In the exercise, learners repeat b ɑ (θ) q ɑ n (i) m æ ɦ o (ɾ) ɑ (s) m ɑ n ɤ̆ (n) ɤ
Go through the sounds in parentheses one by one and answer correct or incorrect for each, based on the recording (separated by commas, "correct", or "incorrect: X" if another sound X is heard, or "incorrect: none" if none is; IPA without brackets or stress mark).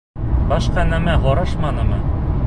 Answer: incorrect: ʃ, incorrect: æ, correct, incorrect: ʃ, incorrect: m